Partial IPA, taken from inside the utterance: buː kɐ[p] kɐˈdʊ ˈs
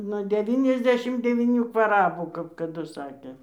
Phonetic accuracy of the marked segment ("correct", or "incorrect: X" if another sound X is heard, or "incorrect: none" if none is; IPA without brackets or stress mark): correct